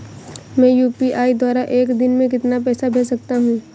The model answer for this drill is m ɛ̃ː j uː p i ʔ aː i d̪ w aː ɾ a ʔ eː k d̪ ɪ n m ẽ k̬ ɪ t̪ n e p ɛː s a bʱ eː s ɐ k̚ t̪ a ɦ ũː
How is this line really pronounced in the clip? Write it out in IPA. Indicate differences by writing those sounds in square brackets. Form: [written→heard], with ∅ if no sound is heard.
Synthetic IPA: m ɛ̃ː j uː p i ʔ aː i d̪ w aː ɾ a ʔ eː k d̪ ɪ n m ẽ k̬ ɪ t̪ n [e→a] p ɛː s a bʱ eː s ɐ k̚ t̪ a ɦ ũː